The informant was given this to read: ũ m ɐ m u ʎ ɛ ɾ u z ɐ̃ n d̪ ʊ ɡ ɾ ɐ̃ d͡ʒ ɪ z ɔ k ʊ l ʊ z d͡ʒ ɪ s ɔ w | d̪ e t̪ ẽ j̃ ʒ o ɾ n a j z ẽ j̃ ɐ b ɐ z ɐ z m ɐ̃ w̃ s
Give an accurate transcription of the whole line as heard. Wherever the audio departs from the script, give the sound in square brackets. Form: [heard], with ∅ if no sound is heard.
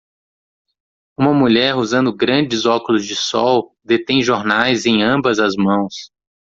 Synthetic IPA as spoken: ũ m ɐ m u ʎ ɛ ɾ u z ɐ̃ n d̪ ʊ ɡ ɾ ɐ̃ d͡ʒ ɪ z ɔ k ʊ l ʊ z d͡ʒ ɪ s ɔ w | d̪ e t̪ ẽ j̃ ʒ o ɾ n a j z ẽ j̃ [ɐ̃] b ɐ z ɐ z m ɐ̃ w̃ s

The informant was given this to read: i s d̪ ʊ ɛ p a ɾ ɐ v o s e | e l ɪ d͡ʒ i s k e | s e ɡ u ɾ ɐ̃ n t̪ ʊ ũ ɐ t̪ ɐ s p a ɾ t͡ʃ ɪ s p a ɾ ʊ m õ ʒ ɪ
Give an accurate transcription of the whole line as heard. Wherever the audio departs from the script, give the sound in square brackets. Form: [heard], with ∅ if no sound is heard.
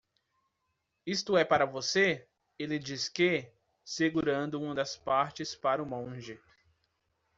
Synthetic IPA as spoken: i s [t̪] ʊ ɛ p a ɾ ɐ v o s e | e l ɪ d͡ʒ i s k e | s e ɡ u ɾ ɐ̃ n [d̪] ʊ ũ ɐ [d̪] ɐ s p a ɾ t͡ʃ ɪ s p a ɾ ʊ m õ ʒ ɪ

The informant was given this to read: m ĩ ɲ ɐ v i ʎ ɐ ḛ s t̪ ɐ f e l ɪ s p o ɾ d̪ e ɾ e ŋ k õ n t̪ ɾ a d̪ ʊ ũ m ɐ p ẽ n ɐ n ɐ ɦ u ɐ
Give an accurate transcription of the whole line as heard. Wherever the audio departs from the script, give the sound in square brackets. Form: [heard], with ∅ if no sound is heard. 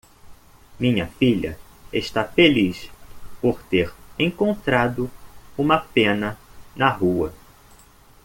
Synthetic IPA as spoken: m ĩ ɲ ɐ [f] i ʎ ɐ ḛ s t̪ [a] f e l [i] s p o ɾ [t̪] e ɾ [ẽ] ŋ k õ n t̪ ɾ a d̪ ʊ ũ m ɐ p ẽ n ɐ n ɐ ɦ u ɐ

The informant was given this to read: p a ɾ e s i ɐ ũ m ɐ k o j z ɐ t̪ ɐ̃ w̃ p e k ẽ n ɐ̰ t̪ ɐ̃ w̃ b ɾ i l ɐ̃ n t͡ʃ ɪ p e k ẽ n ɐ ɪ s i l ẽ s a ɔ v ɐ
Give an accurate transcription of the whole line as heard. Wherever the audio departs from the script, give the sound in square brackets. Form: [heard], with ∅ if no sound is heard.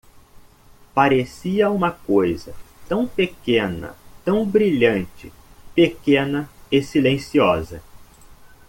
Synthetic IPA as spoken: p a ɾ e s i ɐ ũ m ɐ k o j z ɐ t̪ ɐ̃ w̃ p e k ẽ n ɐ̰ t̪ ɐ̃ w̃ b ɾ i [ʎ] ɐ̃ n t͡ʃ ɪ p e k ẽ n ɐ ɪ s i l ẽ s [i] ɔ [z] ɐ

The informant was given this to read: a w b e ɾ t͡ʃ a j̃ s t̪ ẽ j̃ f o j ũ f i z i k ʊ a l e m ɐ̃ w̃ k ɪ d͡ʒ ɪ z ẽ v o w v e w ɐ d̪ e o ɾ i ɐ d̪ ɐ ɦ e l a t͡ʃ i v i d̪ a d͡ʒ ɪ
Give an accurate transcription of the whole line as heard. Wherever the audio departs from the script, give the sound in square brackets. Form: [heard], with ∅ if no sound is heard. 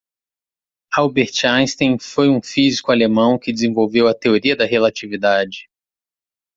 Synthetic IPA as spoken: a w b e ɾ t͡ʃ a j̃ s t̪ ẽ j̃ f o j ũ f i z i k ʊ a l e m ɐ̃ w̃ k ɪ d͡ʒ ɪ z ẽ v o w v e w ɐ [t̪] e o ɾ i ɐ d̪ ɐ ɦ e l a t͡ʃ i v i d̪ a d͡ʒ ɪ

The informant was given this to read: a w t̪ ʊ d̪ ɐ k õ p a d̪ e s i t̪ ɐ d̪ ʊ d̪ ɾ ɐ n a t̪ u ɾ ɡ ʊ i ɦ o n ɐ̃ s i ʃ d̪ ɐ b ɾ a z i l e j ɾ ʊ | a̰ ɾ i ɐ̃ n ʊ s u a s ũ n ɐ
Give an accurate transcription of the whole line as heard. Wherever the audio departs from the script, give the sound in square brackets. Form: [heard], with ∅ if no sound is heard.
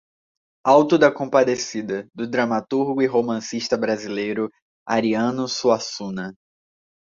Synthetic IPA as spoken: a w t̪ ʊ d̪ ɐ k õ p a d̪ e s i [d̪] ɐ d̪ ʊ d̪ ɾ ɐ [m] a t̪ u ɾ ɡ ʊ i ɦ o [m] ɐ̃ s i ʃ [t̪] ɐ b ɾ a z i l e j ɾ ʊ | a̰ ɾ i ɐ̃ n ʊ s u a s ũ n ɐ

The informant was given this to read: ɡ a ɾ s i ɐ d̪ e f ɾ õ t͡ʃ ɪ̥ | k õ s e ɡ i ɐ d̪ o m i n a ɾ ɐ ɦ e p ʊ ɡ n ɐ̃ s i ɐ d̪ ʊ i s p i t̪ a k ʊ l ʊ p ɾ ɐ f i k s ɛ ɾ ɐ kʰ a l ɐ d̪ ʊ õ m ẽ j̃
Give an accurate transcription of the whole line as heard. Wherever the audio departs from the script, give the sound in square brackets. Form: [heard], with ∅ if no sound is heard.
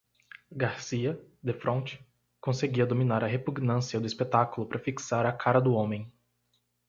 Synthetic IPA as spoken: ɡ a ɾ s i ɐ d̪ e f ɾ õ t͡ʃ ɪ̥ | k õ s e ɡ i ɐ d̪ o m i n a ɾ ɐ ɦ e p [u] ɡ n ɐ̃ s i ɐ d̪ ʊ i s p [e] t̪ a k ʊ l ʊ p ɾ ɐ f i k s [a] ɾ ɐ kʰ a [ɾ] ɐ d̪ ʊ õ m ẽ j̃

